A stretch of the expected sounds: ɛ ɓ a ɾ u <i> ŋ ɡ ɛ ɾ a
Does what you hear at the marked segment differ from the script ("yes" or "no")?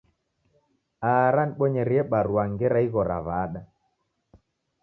yes